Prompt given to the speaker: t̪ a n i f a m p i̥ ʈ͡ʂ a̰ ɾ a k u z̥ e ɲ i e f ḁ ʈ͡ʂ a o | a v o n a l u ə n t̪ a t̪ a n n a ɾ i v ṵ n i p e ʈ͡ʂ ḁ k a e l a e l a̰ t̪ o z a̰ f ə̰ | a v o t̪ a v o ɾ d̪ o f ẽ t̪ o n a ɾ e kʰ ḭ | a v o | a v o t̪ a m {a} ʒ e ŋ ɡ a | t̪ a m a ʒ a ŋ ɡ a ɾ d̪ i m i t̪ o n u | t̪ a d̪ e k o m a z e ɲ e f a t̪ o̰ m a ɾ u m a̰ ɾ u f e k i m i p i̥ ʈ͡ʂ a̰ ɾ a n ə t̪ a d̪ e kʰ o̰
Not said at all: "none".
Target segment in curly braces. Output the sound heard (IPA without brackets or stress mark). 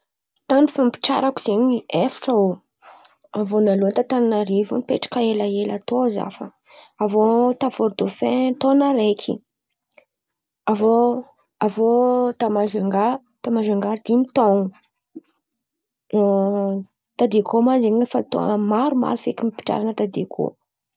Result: a